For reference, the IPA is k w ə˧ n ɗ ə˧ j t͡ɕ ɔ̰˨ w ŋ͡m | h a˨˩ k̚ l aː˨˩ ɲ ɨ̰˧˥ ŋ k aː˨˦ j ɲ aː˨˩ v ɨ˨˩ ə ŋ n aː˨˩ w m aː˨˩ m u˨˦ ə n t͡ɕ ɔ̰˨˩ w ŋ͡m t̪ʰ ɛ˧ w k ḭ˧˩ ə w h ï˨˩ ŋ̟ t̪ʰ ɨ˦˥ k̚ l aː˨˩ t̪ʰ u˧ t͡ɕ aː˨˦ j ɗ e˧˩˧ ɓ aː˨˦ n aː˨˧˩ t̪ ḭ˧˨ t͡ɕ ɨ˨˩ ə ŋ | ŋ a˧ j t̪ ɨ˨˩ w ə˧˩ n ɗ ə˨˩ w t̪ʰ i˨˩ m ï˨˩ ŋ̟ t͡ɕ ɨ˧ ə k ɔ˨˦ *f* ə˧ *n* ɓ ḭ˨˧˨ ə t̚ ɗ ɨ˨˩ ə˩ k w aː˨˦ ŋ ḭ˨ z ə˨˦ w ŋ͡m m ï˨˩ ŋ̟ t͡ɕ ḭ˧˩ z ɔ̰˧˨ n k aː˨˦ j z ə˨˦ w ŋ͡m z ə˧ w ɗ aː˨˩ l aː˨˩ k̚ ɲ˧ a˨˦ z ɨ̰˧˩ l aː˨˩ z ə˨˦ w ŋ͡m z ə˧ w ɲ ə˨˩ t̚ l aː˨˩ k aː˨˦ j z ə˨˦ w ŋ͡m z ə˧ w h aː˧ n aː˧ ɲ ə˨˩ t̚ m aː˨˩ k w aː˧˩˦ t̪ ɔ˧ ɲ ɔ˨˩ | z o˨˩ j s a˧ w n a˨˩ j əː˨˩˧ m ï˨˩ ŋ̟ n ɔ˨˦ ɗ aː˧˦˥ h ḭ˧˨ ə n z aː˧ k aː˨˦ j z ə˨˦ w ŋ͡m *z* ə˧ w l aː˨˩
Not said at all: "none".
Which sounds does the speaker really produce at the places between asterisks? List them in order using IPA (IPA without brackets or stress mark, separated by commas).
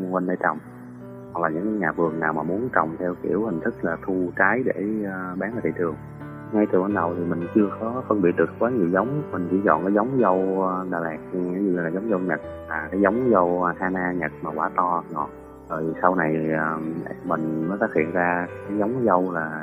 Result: f, n, z